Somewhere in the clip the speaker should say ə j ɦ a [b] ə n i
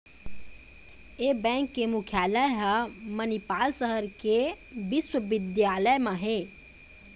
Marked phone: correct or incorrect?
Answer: incorrect: m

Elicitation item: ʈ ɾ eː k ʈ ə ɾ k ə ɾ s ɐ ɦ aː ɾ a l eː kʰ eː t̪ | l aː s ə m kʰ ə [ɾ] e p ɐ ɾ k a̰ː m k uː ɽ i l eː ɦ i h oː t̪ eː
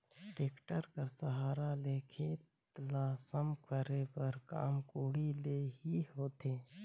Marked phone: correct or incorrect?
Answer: correct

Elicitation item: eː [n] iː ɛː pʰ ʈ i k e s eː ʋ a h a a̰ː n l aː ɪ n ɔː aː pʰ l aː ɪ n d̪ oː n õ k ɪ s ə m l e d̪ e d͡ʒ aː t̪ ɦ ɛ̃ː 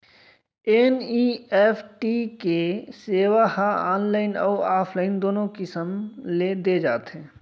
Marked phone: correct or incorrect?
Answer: correct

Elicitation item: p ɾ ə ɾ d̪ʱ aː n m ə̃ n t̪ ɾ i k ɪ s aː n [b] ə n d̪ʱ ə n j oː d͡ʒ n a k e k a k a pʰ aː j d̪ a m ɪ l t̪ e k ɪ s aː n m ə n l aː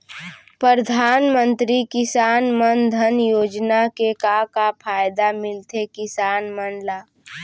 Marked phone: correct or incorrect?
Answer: incorrect: m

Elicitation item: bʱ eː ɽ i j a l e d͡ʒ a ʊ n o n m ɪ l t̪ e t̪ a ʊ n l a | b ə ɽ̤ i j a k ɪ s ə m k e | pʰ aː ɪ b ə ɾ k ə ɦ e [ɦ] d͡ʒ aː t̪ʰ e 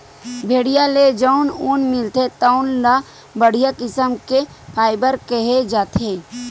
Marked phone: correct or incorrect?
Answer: incorrect: none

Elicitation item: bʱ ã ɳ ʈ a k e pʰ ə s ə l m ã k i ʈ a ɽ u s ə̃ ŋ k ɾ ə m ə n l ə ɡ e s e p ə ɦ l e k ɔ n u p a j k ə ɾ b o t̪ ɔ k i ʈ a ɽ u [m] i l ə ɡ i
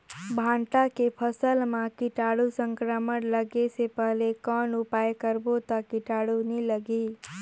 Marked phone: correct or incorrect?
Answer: incorrect: n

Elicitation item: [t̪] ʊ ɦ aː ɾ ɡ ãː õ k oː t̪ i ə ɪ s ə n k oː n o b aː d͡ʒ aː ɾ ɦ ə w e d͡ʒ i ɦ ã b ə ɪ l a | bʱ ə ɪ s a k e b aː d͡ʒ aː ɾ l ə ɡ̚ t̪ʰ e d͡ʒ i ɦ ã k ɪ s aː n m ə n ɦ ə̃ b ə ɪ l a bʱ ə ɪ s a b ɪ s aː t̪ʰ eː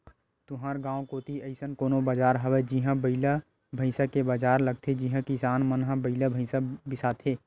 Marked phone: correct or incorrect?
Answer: correct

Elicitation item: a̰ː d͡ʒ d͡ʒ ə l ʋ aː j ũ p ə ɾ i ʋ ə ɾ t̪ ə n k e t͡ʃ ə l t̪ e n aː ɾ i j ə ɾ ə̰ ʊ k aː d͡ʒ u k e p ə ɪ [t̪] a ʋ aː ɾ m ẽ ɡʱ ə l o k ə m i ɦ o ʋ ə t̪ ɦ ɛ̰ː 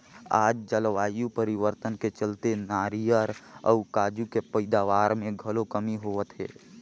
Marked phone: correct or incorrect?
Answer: incorrect: d̪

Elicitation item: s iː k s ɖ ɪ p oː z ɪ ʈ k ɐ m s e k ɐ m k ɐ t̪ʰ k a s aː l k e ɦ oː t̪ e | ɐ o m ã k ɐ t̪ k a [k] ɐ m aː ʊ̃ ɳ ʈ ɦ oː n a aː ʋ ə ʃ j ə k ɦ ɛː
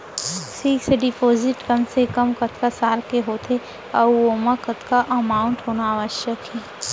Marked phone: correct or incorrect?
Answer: incorrect: ʔ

